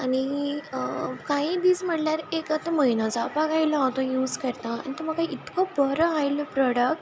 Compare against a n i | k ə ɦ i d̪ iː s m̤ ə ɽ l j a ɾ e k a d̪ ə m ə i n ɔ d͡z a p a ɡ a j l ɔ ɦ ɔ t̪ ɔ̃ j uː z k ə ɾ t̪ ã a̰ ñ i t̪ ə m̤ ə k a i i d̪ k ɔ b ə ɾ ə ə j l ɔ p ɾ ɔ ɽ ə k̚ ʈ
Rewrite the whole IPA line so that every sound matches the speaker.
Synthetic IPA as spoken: a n i | k a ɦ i d̪ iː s m̤ ə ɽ l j a ɾ e k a t̪ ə m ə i n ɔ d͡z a p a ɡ a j l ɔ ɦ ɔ t̪ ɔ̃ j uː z k ə ɾ t̪ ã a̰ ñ i t̪ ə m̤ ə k a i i t̪ k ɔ b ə ɾ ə a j l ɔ p ɾ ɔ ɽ ə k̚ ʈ